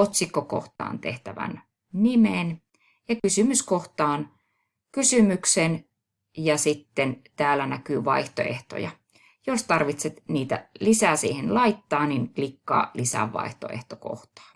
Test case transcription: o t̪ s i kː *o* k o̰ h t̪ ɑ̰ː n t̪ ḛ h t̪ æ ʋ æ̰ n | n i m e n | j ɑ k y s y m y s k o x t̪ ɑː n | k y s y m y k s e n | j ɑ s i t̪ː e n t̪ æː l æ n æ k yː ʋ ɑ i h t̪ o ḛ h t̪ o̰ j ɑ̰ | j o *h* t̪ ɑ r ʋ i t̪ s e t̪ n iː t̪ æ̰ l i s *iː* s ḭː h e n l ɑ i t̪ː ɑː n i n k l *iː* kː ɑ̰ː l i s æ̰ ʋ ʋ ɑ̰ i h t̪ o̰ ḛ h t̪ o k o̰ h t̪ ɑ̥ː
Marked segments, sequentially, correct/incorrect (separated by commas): correct, incorrect, incorrect, incorrect